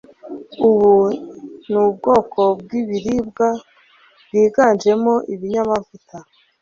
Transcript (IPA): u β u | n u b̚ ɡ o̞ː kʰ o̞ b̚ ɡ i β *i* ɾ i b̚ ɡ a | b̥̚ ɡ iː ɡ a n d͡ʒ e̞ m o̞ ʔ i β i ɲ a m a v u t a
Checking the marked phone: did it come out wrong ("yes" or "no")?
no